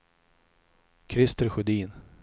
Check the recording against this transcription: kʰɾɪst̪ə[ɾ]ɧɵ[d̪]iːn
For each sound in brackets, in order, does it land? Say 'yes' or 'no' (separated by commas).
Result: yes, yes